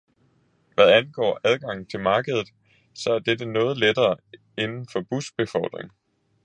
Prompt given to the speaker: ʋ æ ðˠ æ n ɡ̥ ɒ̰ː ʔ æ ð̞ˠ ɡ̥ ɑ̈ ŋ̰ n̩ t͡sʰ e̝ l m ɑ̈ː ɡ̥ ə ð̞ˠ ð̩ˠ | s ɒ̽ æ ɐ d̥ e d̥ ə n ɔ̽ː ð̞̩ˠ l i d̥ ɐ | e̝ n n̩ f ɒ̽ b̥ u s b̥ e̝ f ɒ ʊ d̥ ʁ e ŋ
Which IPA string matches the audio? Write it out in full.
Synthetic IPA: ʋ æ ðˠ æ n ɡ̥ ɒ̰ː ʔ æ ð̞ˠ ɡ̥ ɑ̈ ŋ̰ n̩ t͡sʰ e̝ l m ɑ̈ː ɡ̥ ə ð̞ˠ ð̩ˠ | s ɒ̽ æ ɐ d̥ e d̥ ə n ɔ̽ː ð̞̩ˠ l e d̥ ɐː | e̝ n n̩ f ɒ̽ b̥ u s b̥ e̝ f ɒ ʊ d̥ ʁ e ŋ

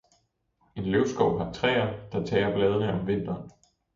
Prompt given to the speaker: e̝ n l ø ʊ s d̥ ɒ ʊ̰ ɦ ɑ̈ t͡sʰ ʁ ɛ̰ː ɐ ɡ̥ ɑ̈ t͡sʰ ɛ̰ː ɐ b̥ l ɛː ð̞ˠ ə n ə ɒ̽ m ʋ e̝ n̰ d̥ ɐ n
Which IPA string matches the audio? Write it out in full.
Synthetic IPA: e̝ n l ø ʊ s ɡ̥ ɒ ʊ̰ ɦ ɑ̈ t͡sʰ ʁ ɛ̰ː ɐ d̥ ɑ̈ t͡sʰ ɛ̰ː ɐ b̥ l ɛː ð̞ˠ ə n ə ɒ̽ m ʋ e̝ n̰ d̥ ɐ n

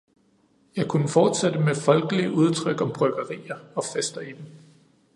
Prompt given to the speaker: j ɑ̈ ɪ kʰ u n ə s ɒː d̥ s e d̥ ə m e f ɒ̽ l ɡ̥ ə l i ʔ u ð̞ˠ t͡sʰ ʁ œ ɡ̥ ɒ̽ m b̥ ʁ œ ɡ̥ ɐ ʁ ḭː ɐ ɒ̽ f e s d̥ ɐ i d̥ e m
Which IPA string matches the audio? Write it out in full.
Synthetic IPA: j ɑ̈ ɪ kʰ u n ə f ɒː d̥ s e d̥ ə m e f ɒ̽ l ɡ̥ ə l i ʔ u ð̞ˠ t͡sʰ ʁ œ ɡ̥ ɒ̽ m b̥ ʁ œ ɡ̥ ɐ ʁ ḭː ɐ ɒ̽ f e s d̥ ɐ i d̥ e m

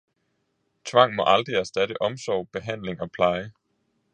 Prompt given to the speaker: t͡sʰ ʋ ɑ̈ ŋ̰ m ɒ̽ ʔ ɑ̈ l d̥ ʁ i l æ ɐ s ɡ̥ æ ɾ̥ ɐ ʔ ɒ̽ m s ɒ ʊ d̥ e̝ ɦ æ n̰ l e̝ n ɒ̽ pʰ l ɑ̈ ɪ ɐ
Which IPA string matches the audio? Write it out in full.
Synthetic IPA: t͡sʰ ʋ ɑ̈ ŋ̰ m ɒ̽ ʔ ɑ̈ l d̥ ʁ i æ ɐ s d̥ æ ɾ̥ ə ʔ ɒ̽ m s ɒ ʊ b̥ e̝ ɦ æ n̰ l e̝ ŋ ɒ̽ pʰ l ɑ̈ ɪ ə

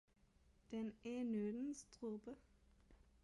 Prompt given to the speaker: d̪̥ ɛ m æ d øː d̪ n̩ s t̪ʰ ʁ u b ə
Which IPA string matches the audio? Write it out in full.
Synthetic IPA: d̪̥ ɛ n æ n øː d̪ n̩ s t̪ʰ ʁ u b ə

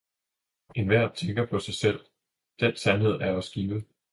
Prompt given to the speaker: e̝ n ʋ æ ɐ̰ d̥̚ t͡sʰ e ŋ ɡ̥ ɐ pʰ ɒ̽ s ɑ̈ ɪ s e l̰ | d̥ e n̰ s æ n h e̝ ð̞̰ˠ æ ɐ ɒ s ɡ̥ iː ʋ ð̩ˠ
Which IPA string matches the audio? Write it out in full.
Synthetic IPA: e̝ n ʋ æ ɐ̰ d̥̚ t͡sʰ e ŋ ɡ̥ ɐ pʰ ɒ̽ s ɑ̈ ɪ s e l̰ | d̥ e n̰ s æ n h e̝ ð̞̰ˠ æ ɐ ɒ s ɡ̥ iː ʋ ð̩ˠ

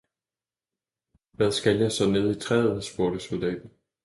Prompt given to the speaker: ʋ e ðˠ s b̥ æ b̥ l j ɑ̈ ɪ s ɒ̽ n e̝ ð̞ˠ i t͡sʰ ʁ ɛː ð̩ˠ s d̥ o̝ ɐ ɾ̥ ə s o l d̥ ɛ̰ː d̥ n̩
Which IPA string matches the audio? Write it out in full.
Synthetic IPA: ʋ æ ðˠ s ɡ̥ æ l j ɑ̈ ɪ s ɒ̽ n e̝ ð̞ˠ i t͡sʰ ʁ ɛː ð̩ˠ s b̥ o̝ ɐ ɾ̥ ə s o l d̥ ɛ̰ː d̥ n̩

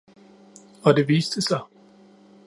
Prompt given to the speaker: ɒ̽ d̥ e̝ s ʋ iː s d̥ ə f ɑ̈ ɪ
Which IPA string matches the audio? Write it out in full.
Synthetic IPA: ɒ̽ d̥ e̝ ʋ iː s d̥ ə s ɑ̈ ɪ

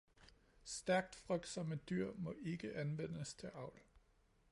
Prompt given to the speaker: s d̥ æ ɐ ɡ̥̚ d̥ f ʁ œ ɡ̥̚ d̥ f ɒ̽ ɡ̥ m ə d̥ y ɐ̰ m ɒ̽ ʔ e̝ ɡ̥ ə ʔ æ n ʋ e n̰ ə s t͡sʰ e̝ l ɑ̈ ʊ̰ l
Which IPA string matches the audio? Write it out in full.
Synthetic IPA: s d̥ æ ɐ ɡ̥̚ d̥ f ʁ œ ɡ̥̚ d̥ s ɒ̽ m ə d̥ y ɐ̰ m ɒ̽ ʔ e̝ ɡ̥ ə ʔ æ n ʋ e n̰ ə s t͡sʰ e̝ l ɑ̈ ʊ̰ l

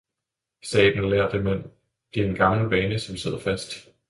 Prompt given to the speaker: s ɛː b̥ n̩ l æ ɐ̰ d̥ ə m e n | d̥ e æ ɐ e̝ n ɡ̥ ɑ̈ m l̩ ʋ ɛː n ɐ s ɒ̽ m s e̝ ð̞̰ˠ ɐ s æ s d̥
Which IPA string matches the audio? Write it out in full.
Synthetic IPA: s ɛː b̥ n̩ l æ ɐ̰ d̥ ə m e n | d̥ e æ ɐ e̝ n ɡ̥ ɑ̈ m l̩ ʋ ɛː n ə s ɒ̽ m s e̝ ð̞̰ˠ ɐ f æ s d̥

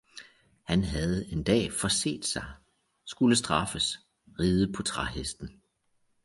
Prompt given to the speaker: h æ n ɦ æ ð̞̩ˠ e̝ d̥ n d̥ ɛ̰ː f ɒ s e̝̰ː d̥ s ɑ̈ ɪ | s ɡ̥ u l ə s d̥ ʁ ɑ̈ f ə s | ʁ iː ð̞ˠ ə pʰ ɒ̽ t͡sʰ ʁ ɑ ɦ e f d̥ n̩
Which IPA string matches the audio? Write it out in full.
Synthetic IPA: h æ n ɦ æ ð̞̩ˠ e̝ n d̥ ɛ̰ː f ɒ s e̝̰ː d̥ s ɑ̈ ɪ | s ɡ̥ u l ə s d̥ ʁ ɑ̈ f ə s | ʁ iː ð̞ˠ ə pʰ ɒ̽ t͡sʰ ʁ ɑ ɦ e s d̥ n̩

